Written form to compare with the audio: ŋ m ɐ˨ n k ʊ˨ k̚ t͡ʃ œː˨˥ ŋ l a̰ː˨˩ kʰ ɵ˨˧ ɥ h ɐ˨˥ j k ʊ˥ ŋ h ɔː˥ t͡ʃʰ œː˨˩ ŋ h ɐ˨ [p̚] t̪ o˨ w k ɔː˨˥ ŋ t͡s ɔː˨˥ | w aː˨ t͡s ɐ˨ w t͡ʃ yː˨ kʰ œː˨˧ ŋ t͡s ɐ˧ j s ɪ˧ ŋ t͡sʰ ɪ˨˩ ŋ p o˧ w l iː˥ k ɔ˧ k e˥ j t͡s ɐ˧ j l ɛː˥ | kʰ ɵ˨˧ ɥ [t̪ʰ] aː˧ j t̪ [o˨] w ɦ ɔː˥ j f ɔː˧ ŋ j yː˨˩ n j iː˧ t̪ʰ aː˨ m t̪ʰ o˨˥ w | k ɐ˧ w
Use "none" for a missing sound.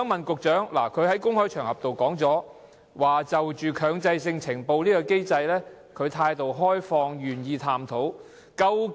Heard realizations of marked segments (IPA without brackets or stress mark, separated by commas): p̚, t̪ʰ, o˨